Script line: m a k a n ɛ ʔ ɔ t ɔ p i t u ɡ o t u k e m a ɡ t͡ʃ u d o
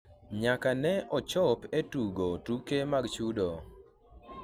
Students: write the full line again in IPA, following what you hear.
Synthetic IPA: ɲ a k a n ɛ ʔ ɔ t͡ʃ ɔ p e t u ɡ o t u k e m a ɡ t͡ʃ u d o